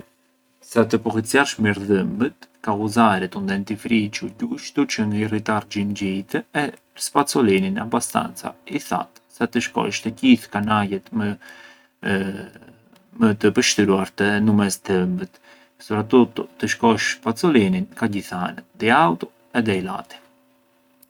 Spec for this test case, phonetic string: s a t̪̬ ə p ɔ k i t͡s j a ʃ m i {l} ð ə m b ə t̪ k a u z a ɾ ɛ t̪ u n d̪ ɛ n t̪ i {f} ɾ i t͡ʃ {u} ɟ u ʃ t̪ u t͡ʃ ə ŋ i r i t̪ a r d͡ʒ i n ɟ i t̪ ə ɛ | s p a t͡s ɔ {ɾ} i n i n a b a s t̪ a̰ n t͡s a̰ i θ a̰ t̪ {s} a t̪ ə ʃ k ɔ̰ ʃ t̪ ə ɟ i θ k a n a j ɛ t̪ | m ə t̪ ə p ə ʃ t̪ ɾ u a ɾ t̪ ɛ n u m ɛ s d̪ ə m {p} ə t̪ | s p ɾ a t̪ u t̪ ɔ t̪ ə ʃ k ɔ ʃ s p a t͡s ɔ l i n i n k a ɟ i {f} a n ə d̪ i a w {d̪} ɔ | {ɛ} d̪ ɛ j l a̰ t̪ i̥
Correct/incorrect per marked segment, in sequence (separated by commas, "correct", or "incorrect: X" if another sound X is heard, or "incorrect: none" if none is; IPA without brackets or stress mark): incorrect: ɾ, correct, correct, incorrect: l, correct, incorrect: b, incorrect: θ, incorrect: t̪, correct